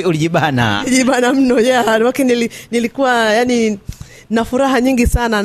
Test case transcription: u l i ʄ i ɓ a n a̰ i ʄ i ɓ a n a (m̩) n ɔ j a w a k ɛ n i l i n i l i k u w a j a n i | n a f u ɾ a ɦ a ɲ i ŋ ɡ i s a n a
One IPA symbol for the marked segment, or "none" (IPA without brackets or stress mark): m̩